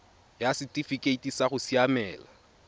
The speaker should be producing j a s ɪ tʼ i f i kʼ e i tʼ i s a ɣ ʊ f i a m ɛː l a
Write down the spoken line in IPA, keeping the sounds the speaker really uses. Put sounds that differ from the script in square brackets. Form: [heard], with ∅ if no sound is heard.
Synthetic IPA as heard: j a s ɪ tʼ i f i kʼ e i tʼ i s a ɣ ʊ [s] i a m ɛː l a